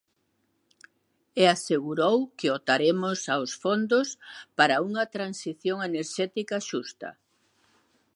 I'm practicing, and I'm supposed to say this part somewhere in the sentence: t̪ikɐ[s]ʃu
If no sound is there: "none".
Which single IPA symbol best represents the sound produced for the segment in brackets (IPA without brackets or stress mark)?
none